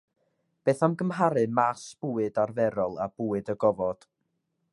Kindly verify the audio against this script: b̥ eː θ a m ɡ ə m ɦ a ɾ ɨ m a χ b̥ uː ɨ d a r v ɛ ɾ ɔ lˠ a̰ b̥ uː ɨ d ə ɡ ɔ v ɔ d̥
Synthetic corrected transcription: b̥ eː θ a m ɡ ə m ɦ a ɾ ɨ m a s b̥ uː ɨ d a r v ɛ ɾ ɔ lˠ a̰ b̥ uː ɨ d ə ɡ ɔ v ɔ d̥

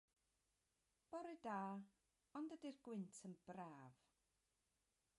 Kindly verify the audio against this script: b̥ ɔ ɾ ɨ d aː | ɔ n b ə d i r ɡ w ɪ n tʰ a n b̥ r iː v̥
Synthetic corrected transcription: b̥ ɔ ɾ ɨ d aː | ɔ n d ə d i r ɡ w ɪ n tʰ ə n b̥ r aː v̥

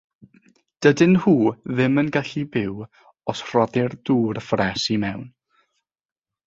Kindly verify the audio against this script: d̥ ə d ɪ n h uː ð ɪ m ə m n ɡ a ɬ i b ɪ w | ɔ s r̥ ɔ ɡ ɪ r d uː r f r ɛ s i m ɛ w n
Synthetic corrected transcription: d̥ ə d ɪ n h uː ð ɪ m ə n ɡ a ɬ i b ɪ w | ɔ s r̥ ɔ d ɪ r d uː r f r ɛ s i m ɛ w n

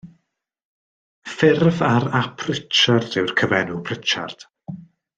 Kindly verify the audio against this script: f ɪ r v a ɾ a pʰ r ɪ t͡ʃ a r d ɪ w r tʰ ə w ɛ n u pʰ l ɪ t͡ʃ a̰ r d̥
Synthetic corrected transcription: f ɪ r v a ɾ a pʰ r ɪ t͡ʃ a r d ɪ w r kʰ ə v ɛ n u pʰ r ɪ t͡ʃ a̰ r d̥

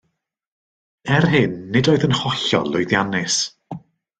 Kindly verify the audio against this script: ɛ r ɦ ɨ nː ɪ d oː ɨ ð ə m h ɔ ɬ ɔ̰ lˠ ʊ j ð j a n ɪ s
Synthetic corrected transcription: ɛ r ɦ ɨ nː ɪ d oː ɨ ð ə n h ɔ ɬ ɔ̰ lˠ ʊ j ð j a n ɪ s

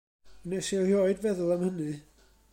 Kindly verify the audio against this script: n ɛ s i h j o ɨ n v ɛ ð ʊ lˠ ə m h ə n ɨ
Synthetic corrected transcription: n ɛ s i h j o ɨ d v ɛ ð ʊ lˠ a m h ə n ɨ

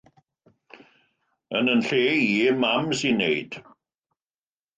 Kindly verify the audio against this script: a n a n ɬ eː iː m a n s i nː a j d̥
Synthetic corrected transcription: ə n ə n ɬ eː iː m a m s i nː e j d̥

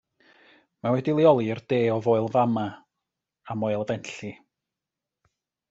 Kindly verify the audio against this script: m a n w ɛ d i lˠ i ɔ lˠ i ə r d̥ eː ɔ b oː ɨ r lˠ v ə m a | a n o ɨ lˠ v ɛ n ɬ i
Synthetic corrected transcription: m a w ɛ d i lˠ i ɔ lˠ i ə r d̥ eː ɔ v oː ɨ lˠ v a m a | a m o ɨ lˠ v ɛ n ɬ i

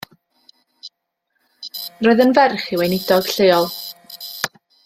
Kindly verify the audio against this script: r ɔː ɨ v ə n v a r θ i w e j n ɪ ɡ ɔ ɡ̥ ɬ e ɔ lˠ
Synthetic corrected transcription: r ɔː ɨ ð ə n v ɛ r χ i w e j n ɪ d ɔ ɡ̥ ɬ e ɔ lˠ

